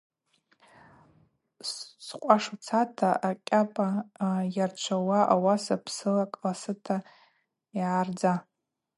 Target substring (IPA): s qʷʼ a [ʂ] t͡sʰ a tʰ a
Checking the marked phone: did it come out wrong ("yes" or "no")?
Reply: no